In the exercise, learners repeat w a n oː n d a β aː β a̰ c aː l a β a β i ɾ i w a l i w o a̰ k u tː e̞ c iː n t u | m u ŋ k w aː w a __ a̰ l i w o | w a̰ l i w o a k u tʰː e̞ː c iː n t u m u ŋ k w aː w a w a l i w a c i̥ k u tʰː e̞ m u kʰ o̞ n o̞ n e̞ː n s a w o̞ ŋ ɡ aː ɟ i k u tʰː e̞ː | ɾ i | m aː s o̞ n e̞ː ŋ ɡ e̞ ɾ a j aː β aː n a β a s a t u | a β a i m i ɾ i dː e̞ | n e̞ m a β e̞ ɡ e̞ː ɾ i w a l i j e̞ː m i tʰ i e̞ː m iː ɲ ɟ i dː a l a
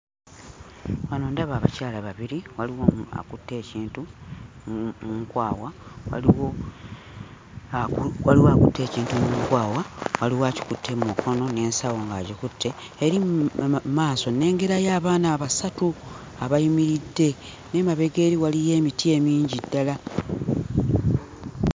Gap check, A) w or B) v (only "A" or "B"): A